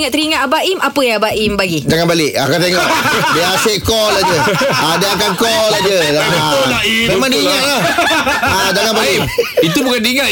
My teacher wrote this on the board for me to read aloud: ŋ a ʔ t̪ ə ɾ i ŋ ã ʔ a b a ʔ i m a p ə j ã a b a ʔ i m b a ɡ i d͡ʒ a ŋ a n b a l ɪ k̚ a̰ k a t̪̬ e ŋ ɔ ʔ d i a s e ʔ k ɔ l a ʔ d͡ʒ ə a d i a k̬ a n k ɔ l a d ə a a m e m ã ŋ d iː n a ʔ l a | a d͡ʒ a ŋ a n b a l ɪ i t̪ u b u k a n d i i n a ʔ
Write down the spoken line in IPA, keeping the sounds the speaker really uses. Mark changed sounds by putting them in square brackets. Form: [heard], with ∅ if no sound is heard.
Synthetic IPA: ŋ a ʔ t̪ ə ɾ i ŋ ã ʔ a b a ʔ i m a p ə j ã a b a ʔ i m b a ɡ i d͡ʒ a ŋ a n b a l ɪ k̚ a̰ k a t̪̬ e ŋ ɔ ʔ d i a s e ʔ k ɔ l a [∅] d͡ʒ ə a d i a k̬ a n k ɔ l a [d͡ʒ] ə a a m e m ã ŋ d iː [ŋ] a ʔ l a | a d͡ʒ a ŋ a n b a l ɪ i t̪ u b u k a n d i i [ŋ] a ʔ